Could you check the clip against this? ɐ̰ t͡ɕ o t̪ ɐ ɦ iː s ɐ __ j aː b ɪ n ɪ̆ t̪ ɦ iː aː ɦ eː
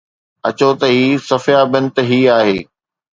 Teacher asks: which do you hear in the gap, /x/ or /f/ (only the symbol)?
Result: f